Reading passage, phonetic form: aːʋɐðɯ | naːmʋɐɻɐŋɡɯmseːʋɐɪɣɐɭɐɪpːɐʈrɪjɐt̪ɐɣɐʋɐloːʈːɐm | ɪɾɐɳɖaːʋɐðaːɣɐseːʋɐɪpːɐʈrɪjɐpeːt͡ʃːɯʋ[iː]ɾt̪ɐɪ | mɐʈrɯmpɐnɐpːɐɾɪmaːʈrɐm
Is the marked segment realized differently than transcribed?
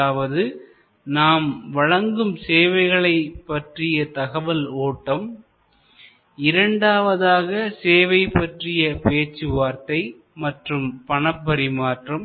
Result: yes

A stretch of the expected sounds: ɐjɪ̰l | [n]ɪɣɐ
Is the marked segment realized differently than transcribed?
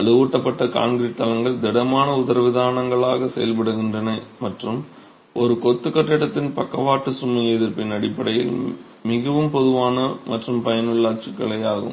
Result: yes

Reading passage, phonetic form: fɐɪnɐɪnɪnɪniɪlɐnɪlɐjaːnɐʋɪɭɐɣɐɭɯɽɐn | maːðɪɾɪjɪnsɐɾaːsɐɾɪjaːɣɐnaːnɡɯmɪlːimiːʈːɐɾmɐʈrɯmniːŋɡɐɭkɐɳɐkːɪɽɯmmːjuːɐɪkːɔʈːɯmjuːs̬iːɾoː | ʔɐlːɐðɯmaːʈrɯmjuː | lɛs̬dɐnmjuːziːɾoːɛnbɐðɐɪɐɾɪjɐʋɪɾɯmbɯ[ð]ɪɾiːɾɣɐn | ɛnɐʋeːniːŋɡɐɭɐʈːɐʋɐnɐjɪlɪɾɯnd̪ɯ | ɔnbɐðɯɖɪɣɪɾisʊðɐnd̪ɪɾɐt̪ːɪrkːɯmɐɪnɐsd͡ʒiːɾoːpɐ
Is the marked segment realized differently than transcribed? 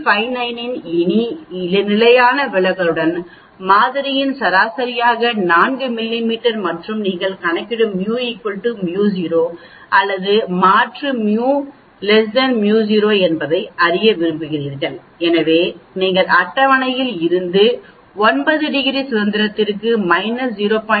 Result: yes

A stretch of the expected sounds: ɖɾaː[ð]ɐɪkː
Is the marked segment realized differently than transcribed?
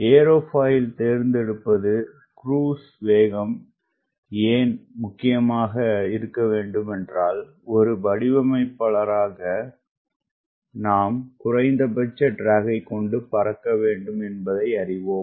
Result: yes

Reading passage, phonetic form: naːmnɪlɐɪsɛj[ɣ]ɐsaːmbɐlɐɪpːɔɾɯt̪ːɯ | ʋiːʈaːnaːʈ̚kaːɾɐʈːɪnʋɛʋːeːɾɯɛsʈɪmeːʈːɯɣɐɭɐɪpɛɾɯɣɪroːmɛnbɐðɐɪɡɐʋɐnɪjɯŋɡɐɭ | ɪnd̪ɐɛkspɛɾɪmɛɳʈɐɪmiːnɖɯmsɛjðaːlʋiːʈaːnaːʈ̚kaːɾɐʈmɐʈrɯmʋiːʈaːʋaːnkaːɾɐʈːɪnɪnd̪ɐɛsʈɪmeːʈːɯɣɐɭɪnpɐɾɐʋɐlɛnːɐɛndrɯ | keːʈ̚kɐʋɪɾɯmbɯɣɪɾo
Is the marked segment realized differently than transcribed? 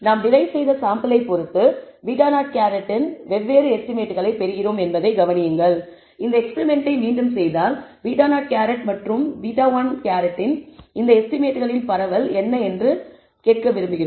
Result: yes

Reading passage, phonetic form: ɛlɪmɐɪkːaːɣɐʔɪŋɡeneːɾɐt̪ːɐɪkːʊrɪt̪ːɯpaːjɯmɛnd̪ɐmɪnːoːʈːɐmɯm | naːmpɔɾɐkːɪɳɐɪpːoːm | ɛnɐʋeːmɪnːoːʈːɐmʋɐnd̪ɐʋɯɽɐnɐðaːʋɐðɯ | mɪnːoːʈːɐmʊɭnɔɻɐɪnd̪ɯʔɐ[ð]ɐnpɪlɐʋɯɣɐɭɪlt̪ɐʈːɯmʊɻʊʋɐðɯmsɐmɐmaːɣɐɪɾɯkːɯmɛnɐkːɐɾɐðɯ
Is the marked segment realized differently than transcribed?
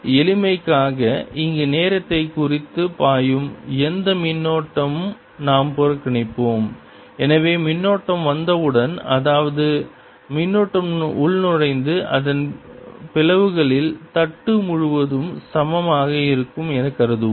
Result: no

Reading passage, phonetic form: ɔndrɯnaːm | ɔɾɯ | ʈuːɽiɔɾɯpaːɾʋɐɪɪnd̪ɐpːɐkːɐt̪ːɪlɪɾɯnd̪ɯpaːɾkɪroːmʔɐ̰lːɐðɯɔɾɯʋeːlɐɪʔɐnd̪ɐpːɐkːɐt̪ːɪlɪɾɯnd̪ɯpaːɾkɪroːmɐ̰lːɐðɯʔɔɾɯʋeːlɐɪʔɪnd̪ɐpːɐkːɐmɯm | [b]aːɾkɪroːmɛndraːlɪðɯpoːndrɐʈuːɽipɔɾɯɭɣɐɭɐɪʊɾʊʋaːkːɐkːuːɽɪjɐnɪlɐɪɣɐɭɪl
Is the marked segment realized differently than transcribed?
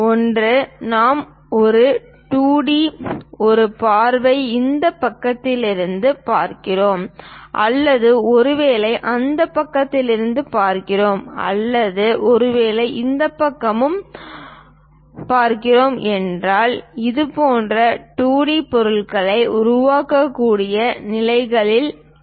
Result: yes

